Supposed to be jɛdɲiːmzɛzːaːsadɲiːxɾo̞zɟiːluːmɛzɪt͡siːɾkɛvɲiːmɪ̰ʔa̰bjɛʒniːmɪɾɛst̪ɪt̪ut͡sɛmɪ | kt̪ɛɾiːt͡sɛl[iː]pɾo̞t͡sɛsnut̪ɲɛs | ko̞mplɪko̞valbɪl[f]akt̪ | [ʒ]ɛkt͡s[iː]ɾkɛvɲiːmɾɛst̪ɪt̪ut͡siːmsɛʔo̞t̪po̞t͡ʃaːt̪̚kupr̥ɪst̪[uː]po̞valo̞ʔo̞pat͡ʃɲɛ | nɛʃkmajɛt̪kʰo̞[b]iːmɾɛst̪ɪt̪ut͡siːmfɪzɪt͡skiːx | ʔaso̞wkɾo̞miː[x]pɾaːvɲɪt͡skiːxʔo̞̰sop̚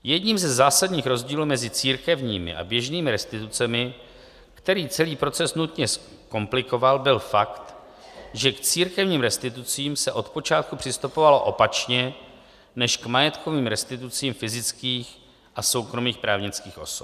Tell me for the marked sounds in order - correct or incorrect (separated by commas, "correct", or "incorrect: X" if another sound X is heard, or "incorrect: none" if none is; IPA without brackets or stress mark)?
correct, correct, correct, correct, incorrect: u, incorrect: v, correct